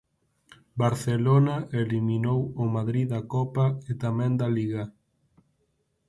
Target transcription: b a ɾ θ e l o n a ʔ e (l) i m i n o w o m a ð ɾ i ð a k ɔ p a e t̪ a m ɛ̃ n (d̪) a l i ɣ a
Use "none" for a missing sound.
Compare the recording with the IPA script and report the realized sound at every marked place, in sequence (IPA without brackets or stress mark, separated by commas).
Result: l, d̪